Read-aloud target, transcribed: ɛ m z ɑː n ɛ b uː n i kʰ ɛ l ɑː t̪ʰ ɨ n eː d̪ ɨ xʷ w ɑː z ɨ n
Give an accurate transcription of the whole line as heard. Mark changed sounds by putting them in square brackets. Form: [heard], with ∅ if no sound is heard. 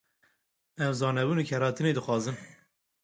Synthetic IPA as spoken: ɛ m z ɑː n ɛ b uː n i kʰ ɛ [ɾ] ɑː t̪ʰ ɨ n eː d̪ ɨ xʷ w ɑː z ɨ n